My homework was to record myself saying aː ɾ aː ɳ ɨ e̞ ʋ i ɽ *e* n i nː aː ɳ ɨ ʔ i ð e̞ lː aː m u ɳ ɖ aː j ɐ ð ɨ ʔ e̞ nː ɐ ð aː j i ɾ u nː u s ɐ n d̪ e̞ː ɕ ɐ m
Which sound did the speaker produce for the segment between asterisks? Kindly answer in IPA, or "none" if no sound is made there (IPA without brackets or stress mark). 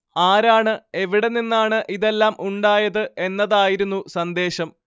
e